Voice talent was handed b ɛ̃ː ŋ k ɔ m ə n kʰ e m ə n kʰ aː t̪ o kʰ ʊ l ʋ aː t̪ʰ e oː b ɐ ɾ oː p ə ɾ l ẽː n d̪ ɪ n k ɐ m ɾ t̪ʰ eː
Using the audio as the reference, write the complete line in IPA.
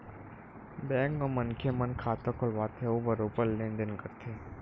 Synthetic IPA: b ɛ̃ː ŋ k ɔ m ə n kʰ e m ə n kʰ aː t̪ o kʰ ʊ l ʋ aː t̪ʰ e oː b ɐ ɾ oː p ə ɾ l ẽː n d̪ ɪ n k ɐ ɾ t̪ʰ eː